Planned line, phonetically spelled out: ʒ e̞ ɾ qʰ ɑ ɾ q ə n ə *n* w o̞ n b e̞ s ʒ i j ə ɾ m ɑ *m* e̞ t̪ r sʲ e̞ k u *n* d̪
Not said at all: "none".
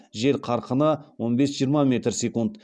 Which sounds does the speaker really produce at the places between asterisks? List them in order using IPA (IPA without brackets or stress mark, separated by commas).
none, m, n